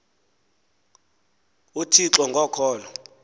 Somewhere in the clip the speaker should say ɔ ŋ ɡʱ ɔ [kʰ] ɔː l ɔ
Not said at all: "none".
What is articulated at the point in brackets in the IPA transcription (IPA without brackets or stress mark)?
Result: kʰ